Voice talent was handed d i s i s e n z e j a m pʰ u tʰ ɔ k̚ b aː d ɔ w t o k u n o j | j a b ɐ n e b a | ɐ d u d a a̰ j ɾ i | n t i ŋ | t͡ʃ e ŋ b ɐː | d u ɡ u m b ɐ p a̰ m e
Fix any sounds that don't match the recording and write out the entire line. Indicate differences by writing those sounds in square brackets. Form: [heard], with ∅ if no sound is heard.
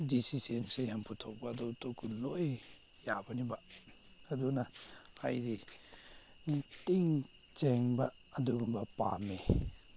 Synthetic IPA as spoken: d i s i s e n [s] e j a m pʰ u tʰ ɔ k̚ b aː d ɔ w t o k u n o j | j a b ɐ n [i] b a | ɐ d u [n] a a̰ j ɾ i | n t i ŋ | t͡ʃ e ŋ b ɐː | d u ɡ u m b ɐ p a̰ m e